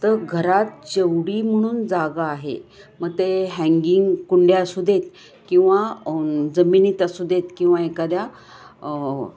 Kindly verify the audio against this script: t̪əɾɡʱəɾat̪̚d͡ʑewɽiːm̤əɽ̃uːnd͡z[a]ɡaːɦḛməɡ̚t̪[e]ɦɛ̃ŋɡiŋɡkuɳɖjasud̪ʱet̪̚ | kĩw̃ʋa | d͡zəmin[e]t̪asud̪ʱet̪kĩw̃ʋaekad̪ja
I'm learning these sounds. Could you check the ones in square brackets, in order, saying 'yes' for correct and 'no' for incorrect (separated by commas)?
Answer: yes, yes, no